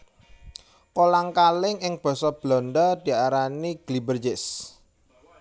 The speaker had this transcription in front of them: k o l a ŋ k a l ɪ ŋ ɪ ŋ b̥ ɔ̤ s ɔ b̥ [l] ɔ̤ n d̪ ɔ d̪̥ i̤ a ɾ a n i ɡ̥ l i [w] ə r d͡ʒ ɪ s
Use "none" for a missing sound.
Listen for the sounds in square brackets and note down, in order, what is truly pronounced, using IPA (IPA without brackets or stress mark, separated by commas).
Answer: l, b